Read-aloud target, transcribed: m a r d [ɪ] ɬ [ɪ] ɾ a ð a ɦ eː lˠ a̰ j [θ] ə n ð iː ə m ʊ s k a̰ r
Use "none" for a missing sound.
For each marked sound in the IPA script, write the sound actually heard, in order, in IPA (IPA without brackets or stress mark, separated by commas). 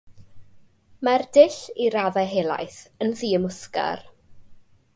ɪ, i, θ